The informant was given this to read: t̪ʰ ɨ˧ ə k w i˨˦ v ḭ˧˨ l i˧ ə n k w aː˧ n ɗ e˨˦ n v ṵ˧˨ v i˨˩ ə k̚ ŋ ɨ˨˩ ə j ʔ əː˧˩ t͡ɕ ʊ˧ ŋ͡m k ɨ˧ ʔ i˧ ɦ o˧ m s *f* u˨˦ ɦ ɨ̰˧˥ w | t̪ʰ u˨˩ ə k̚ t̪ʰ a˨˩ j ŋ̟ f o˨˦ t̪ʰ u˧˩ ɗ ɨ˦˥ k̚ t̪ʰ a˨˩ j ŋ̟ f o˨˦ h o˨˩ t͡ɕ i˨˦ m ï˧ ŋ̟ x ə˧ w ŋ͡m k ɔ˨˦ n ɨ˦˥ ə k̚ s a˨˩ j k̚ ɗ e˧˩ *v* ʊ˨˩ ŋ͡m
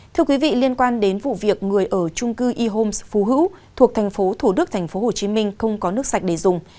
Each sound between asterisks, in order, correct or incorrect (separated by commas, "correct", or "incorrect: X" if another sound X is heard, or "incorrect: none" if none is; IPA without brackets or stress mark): correct, incorrect: z